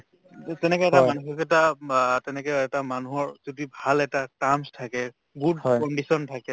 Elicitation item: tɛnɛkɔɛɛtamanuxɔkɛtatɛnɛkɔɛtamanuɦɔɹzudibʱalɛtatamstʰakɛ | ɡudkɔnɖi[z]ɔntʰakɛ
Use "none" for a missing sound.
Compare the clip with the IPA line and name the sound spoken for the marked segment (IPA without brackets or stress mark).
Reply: s